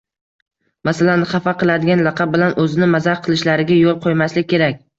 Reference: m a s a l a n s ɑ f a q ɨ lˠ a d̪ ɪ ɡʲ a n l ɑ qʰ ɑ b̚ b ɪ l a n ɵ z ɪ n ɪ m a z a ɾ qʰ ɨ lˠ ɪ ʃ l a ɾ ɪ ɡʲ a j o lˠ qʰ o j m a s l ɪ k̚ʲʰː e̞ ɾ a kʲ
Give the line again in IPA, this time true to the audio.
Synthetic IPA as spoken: m a s a l a n χ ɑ f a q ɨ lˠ a d̪ ɪ ɡʲ a n l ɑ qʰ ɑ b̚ b ɪ l a n ɵ z ɪ n ɪ m a z a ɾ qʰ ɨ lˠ ɪ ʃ l a ɾ ɪ ɡʲ a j o lˠ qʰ o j m a s l ɪ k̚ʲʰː e̞ ɾ a kʲ